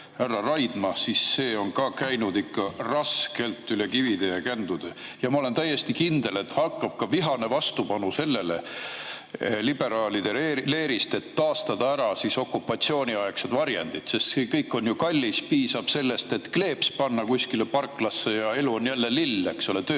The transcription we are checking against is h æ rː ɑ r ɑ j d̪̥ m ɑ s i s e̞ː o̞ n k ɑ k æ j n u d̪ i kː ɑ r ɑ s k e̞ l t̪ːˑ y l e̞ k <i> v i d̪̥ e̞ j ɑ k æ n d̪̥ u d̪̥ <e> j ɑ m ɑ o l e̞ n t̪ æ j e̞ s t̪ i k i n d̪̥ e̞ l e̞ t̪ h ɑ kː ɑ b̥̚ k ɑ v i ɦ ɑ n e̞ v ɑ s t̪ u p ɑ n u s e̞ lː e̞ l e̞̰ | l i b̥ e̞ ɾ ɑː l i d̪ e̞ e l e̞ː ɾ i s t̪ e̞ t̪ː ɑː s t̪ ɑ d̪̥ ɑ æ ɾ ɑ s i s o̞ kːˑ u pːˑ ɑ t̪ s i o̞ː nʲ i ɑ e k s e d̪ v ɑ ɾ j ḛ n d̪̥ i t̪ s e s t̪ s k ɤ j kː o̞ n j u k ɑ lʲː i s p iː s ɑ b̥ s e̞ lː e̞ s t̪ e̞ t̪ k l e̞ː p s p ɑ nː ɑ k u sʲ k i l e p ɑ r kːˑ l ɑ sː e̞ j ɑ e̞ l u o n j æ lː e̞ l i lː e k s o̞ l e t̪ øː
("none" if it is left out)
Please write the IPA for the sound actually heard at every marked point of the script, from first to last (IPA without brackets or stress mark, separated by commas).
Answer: i, e